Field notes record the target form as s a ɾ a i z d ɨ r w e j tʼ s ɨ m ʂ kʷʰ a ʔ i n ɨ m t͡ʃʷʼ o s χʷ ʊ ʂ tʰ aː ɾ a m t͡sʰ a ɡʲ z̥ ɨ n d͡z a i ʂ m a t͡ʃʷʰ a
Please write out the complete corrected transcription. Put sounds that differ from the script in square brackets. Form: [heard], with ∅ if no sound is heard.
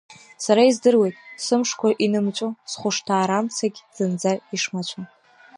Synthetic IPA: s a ɾ a i z d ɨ r w e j tʼ s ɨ m ʂ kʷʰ a ʔ i n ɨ m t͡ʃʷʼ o s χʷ ʊ ʂ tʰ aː ɾ a m t͡sʰ a ɡʲ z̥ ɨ n d͡z a i ʂ m a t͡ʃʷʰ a